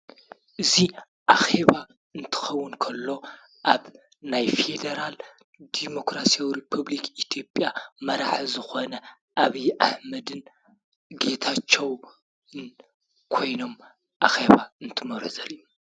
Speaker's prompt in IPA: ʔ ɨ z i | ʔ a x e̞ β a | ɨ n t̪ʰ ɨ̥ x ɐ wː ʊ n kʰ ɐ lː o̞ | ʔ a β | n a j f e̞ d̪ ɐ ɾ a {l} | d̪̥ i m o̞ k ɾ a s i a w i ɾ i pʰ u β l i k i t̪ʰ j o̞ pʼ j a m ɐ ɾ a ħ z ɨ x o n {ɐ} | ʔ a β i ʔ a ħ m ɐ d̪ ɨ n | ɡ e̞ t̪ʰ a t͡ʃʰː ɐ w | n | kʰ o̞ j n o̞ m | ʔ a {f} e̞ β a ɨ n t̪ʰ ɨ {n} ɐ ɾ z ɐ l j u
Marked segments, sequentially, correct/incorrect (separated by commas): correct, correct, incorrect, incorrect